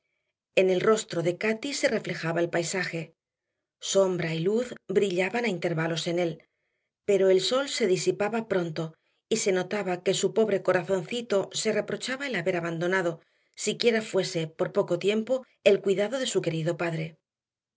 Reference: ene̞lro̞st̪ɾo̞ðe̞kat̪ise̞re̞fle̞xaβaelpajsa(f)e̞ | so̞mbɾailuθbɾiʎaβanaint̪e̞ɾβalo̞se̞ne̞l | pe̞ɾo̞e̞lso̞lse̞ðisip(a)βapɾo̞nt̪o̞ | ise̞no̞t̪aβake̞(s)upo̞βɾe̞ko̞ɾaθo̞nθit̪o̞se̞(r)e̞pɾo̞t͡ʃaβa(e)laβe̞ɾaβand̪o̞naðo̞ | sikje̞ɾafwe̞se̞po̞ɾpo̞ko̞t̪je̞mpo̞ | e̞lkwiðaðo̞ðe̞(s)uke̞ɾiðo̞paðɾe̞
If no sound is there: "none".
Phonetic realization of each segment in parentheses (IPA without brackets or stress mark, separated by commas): x, a, s, r, e, s